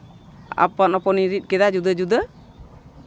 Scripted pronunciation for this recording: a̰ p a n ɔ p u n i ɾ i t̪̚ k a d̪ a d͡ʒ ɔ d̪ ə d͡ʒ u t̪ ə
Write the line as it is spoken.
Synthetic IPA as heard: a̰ p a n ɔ p ɔ n i ɾ i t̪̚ k ɛ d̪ a d͡ʒ u d̪ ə d͡ʒ u d̪ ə